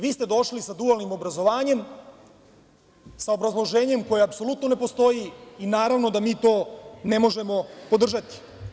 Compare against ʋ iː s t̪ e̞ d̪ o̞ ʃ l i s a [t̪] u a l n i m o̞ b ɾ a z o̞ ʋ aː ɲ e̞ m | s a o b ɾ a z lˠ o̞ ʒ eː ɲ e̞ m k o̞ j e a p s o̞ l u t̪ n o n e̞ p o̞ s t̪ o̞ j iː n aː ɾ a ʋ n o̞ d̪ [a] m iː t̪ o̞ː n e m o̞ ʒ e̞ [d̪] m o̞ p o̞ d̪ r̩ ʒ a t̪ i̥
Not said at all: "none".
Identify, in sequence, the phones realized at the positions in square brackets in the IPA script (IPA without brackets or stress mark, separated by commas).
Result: d̪, a, none